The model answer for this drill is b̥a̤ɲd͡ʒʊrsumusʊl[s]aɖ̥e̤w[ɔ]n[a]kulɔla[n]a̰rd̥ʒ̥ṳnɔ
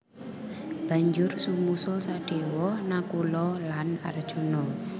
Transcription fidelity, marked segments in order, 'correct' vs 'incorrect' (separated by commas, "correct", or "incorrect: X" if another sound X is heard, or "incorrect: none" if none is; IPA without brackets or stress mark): correct, correct, correct, correct